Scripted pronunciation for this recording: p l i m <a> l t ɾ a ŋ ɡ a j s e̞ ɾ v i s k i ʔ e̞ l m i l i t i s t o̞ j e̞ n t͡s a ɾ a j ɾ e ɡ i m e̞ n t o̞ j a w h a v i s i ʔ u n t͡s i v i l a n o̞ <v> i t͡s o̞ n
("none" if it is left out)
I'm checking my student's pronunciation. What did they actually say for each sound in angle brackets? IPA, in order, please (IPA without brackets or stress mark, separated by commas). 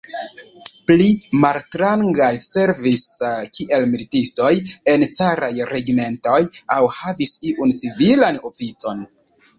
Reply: a, f